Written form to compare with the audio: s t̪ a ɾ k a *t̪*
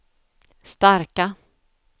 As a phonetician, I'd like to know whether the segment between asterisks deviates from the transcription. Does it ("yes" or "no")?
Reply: yes